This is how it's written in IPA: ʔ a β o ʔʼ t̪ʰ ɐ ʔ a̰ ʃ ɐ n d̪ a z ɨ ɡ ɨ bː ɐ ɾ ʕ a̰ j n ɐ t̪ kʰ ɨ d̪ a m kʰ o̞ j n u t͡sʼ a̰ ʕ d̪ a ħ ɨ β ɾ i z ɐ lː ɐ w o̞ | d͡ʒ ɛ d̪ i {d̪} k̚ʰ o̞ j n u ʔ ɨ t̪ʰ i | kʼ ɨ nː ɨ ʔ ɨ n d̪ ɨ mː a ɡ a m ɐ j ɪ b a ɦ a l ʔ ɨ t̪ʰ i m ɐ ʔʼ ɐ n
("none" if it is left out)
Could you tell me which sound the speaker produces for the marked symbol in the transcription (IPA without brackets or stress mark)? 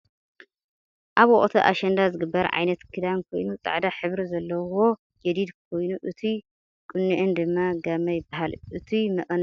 d̪